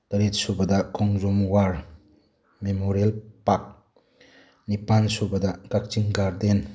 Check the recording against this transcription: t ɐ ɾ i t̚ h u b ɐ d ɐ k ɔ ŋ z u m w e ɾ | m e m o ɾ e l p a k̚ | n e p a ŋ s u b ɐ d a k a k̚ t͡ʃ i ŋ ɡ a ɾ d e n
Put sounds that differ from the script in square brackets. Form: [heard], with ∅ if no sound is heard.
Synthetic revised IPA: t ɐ ɾ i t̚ [s] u b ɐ d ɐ k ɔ ŋ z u m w [a] ɾ | m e m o ɾ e l p a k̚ | n [i] p a [n] s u b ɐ d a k a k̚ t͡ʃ i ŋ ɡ a ɾ d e n